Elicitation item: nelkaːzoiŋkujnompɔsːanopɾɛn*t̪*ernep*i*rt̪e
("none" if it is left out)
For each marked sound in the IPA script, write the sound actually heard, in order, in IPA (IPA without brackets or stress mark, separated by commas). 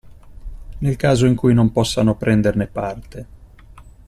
d̪, a